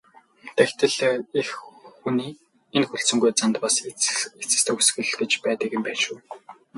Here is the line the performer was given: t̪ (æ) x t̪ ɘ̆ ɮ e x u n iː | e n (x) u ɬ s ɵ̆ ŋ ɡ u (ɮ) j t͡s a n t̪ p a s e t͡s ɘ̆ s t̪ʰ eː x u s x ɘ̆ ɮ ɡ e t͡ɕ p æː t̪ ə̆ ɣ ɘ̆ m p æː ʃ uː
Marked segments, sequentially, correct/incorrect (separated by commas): correct, correct, incorrect